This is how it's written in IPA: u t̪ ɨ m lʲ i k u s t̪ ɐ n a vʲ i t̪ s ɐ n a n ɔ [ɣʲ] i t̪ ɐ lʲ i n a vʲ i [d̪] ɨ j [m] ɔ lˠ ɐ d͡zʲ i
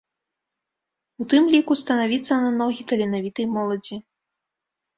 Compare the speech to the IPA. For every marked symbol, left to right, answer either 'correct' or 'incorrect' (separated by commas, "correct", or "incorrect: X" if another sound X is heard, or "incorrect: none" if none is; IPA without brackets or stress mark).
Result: correct, incorrect: t̪, correct